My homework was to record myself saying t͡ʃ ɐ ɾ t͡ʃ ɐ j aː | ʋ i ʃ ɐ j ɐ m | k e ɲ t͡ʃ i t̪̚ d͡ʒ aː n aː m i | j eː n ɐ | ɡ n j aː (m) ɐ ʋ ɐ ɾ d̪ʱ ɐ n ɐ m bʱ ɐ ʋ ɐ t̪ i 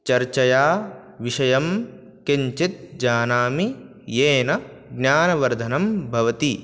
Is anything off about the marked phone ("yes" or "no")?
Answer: yes